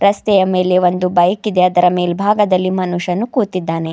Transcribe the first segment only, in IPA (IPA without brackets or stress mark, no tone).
ɾ